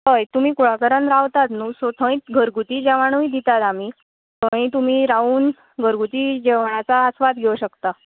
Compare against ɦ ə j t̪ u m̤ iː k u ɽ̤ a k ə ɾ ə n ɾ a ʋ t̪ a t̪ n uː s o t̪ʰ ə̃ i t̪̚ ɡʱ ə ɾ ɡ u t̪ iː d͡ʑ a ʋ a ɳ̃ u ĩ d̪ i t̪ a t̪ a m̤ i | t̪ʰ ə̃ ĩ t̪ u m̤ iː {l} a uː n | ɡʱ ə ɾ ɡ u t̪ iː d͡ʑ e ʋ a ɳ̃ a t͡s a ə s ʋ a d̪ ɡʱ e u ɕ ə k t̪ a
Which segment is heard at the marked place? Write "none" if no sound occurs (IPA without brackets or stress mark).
ɾ